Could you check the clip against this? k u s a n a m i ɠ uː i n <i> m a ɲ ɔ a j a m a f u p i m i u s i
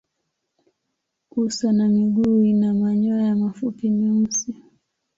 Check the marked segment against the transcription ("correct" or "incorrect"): incorrect